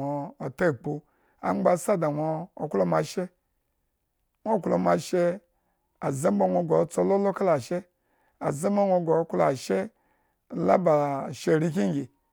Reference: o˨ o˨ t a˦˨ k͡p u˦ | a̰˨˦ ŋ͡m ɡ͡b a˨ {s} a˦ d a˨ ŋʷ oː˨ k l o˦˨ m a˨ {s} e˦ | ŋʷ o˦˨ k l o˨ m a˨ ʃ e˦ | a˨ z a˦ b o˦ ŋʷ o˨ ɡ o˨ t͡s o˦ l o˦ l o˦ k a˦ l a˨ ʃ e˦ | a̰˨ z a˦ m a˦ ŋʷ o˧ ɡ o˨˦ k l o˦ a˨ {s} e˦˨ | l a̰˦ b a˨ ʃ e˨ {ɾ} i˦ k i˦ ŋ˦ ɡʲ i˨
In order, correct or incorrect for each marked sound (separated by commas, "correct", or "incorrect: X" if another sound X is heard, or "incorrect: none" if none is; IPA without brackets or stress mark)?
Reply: correct, incorrect: ʃ, incorrect: ʃ, correct